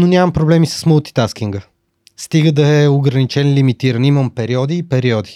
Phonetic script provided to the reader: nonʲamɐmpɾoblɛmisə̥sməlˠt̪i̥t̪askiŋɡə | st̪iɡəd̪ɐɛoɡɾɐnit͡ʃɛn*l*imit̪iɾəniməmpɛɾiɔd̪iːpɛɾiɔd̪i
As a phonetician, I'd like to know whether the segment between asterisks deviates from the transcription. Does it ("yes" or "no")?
no